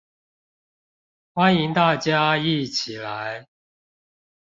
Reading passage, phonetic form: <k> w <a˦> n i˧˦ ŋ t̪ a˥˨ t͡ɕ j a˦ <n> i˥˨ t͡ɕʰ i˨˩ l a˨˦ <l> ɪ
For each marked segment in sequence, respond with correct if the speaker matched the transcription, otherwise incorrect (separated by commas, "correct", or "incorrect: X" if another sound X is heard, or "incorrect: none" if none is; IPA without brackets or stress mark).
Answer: incorrect: x, correct, incorrect: none, incorrect: none